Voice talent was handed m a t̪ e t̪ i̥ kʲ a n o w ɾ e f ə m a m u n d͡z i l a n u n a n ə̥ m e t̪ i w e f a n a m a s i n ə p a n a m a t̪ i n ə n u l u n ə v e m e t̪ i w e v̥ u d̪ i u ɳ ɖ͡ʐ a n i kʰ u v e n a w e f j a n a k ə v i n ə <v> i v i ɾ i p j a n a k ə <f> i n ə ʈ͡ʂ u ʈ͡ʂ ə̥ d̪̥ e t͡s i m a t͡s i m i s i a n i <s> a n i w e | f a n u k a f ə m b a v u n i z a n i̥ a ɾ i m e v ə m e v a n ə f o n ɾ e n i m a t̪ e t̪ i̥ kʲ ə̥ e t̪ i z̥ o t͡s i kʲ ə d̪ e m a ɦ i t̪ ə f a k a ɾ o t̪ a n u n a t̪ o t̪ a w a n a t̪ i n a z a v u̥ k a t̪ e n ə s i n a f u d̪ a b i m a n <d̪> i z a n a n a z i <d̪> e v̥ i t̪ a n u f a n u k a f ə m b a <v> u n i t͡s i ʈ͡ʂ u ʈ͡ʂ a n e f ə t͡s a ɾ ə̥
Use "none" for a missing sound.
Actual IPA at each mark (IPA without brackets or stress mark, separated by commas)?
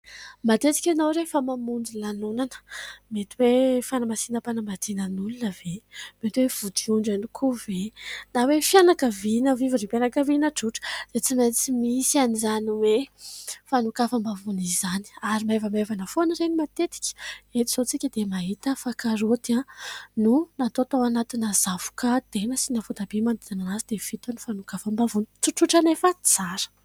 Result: v, v, z, d̪, d̪, v